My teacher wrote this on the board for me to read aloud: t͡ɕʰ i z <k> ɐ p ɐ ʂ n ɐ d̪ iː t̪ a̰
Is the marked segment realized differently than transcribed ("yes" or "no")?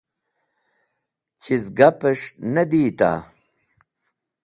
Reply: yes